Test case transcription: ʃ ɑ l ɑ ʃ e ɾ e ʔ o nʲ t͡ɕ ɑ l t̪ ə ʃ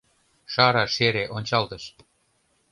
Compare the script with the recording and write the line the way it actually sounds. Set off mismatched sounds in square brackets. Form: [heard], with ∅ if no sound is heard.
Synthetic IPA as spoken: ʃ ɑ [ɾ] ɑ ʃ e ɾ e ʔ o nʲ t͡ɕ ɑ l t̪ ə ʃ